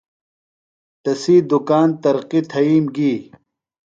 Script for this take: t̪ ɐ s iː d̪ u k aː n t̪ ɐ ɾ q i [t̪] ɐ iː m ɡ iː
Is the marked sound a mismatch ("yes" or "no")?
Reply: yes